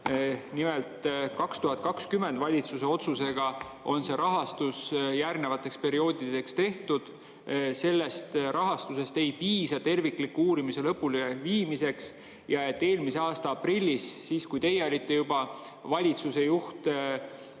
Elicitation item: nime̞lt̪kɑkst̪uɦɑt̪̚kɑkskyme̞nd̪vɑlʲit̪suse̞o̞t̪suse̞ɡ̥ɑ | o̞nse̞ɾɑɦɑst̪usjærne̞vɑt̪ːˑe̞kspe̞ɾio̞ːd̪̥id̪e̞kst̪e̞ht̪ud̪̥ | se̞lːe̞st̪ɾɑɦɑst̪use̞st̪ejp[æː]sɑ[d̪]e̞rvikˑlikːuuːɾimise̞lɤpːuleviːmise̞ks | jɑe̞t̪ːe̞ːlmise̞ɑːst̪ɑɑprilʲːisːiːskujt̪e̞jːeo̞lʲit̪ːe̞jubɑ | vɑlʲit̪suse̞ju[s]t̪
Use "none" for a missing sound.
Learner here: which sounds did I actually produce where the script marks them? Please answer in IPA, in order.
iː, t̪, h

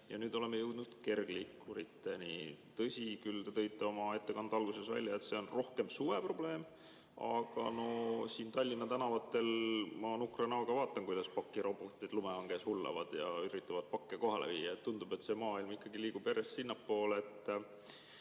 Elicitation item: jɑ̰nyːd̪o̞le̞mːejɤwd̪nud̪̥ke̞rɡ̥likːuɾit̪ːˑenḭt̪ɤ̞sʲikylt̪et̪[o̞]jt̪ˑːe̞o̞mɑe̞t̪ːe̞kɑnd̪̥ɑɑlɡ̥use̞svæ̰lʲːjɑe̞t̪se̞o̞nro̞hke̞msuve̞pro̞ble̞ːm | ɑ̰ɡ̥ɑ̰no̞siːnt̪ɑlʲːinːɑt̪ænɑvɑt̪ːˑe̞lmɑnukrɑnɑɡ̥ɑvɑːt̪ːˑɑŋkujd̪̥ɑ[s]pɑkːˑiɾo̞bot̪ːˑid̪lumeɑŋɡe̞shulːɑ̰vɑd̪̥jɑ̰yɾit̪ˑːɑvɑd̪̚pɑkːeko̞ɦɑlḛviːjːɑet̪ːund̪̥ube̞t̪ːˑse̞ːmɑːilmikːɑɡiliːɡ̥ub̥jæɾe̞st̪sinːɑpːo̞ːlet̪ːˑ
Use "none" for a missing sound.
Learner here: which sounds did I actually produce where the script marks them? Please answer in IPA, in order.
ɤ̞, s

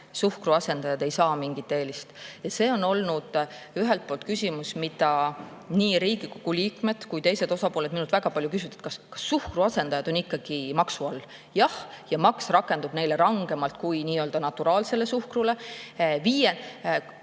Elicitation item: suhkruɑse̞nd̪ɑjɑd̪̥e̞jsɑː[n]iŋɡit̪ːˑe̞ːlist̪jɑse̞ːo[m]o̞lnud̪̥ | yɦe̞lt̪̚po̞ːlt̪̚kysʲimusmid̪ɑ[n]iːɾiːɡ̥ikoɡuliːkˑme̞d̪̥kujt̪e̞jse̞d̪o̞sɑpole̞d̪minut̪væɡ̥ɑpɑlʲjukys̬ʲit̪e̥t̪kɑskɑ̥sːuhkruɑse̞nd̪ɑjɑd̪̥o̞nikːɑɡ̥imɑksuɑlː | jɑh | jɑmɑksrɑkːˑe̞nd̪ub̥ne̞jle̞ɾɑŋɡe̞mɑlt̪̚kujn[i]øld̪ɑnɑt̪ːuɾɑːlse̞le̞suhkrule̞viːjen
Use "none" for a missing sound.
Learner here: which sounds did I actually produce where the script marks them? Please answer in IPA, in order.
m, n, n, iː

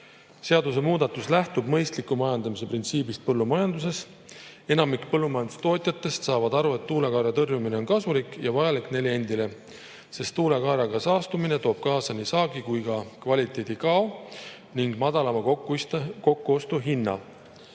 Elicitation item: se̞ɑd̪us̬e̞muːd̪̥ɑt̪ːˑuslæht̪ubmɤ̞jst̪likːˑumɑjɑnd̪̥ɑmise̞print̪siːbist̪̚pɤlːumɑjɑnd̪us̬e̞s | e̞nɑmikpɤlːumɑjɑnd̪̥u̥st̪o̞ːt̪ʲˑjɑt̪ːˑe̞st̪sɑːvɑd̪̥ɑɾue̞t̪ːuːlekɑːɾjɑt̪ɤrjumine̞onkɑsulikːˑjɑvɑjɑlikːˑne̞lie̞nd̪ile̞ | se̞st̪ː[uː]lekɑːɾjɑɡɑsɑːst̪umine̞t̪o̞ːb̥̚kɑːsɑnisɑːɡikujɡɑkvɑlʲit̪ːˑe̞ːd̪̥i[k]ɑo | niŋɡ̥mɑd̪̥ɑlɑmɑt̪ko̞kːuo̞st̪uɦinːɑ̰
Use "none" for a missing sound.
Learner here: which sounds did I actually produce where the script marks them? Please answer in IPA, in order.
uː, k

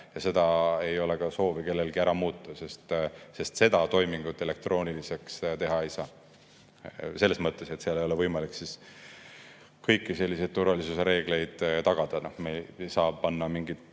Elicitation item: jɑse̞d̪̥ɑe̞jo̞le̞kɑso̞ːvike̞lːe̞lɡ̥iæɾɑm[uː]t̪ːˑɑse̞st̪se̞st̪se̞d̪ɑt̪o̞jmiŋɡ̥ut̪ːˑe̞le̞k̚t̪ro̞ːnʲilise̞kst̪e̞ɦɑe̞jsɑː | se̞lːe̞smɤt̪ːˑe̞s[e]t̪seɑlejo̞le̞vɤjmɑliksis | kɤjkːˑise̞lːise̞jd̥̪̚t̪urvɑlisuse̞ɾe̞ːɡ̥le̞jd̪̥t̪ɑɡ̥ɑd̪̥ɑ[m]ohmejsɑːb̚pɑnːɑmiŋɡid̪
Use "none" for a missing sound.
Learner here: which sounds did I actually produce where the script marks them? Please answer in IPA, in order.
uː, e, n

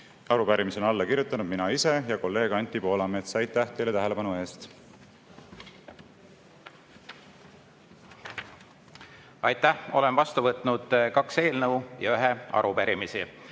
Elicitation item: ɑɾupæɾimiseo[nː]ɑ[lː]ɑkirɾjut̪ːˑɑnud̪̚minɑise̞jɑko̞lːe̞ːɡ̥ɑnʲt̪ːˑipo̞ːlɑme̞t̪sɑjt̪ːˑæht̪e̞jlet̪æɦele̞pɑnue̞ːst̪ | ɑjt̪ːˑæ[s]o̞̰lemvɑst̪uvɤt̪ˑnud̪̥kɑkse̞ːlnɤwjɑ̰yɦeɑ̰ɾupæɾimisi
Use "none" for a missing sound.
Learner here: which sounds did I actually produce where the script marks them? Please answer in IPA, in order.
n, lː, h

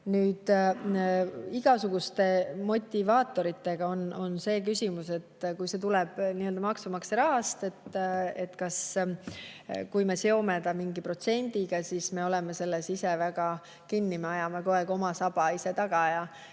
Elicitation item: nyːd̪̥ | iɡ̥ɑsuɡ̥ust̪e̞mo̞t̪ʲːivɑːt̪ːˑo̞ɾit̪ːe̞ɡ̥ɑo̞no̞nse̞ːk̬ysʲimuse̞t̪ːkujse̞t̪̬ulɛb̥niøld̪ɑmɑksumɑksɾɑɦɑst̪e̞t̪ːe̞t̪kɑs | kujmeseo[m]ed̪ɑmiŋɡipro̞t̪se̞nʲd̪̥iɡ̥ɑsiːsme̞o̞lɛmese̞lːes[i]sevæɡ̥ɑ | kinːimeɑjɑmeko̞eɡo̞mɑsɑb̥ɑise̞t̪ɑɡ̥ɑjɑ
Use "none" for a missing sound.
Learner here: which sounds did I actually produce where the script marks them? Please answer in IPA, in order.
m, i

